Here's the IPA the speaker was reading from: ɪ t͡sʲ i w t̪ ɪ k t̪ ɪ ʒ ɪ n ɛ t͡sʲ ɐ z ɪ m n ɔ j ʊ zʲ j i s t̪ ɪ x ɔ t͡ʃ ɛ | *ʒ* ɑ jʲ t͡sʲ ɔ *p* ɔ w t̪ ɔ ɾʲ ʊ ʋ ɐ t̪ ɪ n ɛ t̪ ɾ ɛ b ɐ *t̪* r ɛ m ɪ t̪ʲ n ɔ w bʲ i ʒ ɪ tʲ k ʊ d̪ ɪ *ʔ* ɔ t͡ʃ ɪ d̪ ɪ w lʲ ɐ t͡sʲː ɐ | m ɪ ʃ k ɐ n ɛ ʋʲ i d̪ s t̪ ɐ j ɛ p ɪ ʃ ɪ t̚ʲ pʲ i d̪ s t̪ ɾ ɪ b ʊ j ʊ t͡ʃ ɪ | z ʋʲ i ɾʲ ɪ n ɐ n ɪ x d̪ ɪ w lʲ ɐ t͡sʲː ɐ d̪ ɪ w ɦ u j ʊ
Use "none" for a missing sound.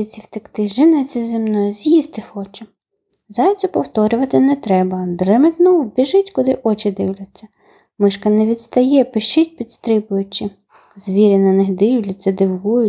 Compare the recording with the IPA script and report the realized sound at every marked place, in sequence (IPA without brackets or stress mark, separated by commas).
z, p, d̪, ʔ